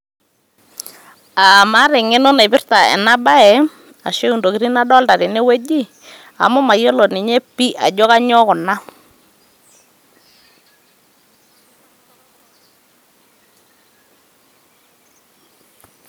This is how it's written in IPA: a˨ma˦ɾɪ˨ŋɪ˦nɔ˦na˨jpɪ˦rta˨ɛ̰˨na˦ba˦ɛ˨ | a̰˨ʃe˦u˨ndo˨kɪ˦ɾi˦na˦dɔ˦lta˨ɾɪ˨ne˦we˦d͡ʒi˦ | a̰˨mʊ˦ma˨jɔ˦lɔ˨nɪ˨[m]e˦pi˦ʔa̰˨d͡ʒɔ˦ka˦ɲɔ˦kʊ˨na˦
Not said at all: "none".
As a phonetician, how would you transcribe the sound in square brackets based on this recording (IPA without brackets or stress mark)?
ɲ